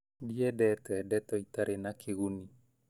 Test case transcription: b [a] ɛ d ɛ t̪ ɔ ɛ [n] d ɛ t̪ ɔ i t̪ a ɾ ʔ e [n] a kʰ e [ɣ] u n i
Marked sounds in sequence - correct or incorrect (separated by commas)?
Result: incorrect, incorrect, correct, correct